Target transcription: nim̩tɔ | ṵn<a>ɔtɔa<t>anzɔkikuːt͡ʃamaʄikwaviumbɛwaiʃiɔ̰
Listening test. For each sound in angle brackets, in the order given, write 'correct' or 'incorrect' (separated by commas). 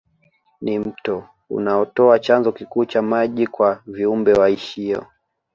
correct, incorrect